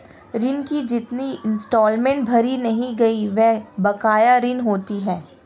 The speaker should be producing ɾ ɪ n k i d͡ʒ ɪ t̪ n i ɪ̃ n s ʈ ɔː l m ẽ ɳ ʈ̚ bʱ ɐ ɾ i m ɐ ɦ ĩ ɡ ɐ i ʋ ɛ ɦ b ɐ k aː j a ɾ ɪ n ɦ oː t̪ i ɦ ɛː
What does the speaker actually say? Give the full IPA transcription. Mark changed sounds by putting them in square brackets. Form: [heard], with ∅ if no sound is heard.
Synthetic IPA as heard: ɾ ɪ n k i d͡ʒ ɪ t̪ n i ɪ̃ n s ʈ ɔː l m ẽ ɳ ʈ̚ bʱ ɐ ɾ i [n] ɐ ɦ ĩ ɡ ɐ i ʋ ɛ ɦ b ɐ k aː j a ɾ ɪ n ɦ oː t̪ i ɦ ɛː